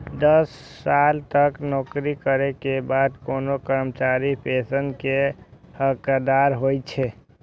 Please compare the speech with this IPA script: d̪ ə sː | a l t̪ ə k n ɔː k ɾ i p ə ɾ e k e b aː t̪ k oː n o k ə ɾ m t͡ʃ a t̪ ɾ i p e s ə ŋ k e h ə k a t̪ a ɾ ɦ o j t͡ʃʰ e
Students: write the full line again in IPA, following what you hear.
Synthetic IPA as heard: d̪ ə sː | a l t̪ ə k n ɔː k ɾ i k ə ɾ e k e b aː d̪ k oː n o k ə ɾ m t͡ʃ a ɾ i p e s ə n k e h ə k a d̪ a ɾ ɦ o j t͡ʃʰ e